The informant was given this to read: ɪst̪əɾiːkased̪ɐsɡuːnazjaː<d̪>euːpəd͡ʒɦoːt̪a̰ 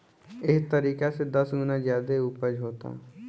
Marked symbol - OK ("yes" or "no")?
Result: yes